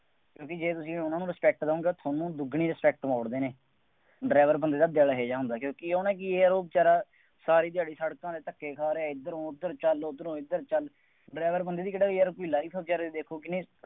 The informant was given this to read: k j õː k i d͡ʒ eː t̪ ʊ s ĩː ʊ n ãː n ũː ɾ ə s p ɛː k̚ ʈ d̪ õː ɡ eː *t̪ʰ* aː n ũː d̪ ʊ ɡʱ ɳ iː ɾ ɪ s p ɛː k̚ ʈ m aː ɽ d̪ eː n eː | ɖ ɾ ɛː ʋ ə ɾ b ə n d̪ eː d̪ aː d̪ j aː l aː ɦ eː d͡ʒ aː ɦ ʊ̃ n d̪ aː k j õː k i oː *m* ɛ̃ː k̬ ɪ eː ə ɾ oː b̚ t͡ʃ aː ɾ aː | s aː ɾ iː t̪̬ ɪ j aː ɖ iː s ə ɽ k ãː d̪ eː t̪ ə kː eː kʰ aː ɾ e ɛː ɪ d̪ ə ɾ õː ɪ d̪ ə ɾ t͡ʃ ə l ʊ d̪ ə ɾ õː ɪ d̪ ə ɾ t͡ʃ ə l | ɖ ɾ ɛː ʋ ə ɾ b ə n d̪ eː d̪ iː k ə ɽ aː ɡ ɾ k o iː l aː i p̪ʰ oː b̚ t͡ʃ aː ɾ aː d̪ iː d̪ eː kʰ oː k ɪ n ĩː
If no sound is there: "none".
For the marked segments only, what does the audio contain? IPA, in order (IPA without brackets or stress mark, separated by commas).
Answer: t̪ʰ, n